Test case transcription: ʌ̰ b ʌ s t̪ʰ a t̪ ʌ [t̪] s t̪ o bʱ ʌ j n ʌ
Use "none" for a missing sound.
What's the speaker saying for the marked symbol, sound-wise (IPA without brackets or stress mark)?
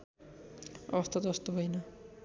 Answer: none